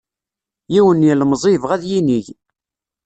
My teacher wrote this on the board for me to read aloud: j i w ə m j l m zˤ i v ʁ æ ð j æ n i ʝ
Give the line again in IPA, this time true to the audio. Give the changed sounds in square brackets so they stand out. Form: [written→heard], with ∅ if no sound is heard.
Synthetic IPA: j i w ə [m→n] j l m zˤ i v ʁ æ ð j [æ→i] n i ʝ